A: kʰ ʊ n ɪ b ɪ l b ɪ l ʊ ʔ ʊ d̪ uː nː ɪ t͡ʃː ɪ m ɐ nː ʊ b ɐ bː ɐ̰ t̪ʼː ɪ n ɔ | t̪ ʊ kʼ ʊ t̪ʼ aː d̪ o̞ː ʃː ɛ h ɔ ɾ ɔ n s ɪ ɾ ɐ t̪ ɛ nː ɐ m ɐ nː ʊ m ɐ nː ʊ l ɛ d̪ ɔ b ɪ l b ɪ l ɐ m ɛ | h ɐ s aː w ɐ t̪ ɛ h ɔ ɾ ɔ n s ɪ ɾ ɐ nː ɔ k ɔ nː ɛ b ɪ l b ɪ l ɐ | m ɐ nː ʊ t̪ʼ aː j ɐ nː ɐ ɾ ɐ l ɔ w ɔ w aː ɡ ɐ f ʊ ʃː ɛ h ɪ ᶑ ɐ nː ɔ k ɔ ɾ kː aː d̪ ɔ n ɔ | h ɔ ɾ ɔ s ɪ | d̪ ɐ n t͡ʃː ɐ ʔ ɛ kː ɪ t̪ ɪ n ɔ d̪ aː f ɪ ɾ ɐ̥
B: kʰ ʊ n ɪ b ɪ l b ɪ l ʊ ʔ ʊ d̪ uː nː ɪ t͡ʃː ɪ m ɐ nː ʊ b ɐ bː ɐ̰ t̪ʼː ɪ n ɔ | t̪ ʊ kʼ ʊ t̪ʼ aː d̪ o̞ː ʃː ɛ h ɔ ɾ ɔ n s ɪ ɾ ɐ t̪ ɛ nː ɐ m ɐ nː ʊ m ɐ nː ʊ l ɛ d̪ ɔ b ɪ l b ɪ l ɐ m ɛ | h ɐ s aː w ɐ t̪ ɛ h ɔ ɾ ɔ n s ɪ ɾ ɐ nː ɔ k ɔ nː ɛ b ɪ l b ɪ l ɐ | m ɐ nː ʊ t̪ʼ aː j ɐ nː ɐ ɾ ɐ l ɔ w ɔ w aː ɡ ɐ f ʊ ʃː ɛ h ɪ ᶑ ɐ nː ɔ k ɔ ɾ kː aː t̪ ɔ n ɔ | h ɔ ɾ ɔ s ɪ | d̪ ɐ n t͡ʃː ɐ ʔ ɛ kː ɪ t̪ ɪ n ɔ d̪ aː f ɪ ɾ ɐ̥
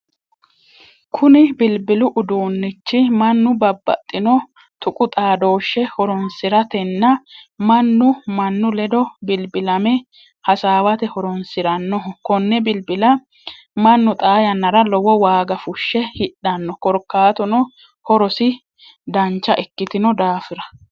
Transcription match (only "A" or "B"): B